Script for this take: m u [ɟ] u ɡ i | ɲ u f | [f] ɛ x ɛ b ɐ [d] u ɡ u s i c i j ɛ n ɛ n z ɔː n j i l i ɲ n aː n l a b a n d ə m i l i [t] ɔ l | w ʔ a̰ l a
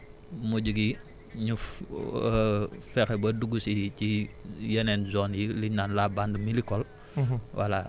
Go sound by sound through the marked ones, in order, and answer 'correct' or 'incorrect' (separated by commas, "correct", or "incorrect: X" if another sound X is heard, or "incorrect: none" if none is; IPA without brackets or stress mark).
correct, correct, correct, incorrect: k